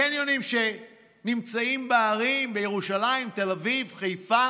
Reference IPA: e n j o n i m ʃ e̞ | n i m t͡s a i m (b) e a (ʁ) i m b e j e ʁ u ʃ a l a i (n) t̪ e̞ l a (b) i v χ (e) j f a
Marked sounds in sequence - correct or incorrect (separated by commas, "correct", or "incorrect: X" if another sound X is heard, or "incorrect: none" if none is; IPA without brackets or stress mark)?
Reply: correct, correct, incorrect: m, incorrect: v, correct